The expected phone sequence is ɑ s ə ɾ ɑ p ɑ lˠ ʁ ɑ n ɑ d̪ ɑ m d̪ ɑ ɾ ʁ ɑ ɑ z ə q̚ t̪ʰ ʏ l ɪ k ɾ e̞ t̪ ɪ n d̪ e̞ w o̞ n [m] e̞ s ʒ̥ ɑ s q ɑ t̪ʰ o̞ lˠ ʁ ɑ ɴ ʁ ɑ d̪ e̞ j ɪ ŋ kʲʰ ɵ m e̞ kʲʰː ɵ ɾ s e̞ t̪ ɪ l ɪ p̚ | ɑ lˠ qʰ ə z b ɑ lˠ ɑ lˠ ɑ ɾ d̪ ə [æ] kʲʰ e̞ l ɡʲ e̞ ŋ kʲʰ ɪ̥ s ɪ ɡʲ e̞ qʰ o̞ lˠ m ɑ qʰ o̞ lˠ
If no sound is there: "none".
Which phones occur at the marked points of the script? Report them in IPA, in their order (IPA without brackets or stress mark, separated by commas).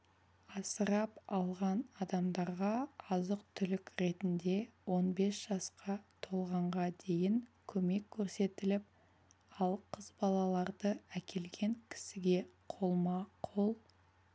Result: b, æ